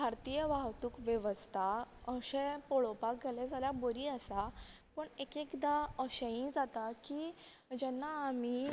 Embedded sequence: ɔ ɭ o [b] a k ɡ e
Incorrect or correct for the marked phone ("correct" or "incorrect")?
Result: incorrect